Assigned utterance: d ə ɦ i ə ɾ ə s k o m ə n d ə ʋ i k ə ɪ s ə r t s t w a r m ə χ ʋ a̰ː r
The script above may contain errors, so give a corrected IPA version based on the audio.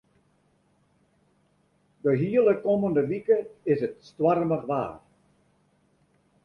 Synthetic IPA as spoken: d ə ɦ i ə l ə k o m ə n d ə ʋ i k ə ɪ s ə t s t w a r m ə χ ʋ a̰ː r